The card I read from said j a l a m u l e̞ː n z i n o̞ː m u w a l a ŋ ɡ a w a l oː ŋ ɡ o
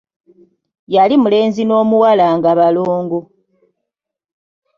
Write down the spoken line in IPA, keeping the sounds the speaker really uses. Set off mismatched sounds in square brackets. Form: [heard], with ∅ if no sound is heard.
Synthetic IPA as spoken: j a l [i] m u l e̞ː n z i n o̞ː m u w a l a ŋ ɡ a [β] a l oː ŋ ɡ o